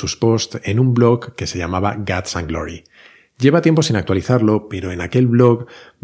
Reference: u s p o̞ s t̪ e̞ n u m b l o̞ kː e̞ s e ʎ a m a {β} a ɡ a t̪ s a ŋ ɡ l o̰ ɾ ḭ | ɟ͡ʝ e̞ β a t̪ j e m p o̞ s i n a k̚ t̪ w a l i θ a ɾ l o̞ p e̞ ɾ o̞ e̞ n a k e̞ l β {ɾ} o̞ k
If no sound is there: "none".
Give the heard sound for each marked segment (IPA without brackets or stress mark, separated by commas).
β, l